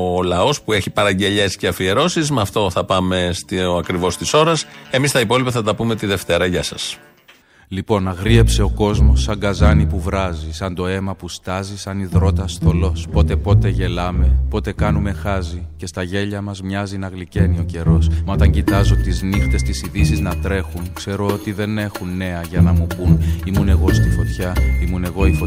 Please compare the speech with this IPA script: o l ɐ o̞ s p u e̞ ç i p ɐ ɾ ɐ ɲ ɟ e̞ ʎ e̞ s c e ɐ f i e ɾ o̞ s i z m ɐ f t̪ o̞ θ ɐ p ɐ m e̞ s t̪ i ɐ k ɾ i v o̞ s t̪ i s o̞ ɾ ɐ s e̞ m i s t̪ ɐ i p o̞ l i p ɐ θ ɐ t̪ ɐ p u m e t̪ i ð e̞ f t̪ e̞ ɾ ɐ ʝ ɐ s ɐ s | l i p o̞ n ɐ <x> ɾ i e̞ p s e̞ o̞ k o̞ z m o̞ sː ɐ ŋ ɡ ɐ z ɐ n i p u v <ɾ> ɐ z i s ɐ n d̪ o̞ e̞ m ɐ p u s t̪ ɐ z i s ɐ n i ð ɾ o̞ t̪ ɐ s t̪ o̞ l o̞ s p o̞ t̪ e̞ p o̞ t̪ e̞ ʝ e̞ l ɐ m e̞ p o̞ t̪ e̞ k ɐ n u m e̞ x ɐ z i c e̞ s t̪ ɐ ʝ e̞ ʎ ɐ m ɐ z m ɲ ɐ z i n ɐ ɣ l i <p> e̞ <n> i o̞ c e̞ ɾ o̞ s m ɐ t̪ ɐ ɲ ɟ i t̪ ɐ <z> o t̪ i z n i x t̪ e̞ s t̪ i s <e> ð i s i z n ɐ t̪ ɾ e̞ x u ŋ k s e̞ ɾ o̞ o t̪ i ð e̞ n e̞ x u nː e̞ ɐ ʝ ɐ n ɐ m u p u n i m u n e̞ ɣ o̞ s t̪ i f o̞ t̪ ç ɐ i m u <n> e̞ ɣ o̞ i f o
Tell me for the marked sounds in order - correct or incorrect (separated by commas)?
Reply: incorrect, correct, incorrect, correct, correct, incorrect, correct